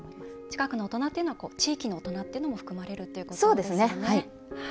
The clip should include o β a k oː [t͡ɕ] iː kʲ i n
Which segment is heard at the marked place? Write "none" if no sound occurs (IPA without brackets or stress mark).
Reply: t͡ɕ